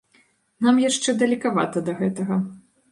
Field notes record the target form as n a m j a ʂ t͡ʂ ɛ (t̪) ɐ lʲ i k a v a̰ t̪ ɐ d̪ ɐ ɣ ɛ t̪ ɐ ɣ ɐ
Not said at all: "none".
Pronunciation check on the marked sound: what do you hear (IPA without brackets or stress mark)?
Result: d̪